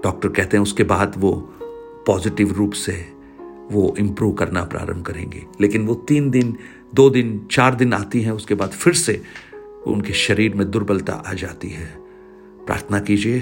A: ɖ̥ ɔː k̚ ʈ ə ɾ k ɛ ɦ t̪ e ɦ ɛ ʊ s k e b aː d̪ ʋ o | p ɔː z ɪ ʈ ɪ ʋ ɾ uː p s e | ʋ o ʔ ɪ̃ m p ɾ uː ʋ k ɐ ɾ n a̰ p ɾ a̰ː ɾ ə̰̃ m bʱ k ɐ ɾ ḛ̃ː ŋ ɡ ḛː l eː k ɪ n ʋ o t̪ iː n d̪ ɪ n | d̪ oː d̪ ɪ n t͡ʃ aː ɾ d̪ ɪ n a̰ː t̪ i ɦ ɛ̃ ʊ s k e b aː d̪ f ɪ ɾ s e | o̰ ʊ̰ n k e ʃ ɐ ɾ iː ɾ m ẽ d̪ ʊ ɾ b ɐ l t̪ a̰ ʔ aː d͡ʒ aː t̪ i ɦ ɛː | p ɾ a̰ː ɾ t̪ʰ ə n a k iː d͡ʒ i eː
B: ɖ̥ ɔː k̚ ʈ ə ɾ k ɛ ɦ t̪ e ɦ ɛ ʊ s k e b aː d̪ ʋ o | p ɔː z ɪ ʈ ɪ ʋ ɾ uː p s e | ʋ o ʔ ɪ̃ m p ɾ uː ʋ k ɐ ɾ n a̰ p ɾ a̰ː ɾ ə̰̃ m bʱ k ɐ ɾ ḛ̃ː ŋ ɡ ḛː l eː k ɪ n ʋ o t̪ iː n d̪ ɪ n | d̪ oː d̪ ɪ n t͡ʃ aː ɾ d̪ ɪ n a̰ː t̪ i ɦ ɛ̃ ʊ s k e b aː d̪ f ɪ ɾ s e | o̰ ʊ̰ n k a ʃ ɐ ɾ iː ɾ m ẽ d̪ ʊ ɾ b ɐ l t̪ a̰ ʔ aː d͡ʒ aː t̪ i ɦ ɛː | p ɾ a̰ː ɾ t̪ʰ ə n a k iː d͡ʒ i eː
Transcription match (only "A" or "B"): A